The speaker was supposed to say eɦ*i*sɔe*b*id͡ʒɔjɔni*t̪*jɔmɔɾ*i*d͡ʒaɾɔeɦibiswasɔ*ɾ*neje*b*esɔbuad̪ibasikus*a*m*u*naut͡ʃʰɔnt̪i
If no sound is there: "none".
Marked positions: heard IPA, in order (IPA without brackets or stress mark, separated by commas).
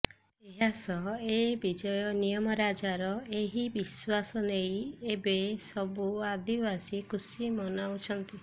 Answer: a, b, none, a, none, b, i, ɔ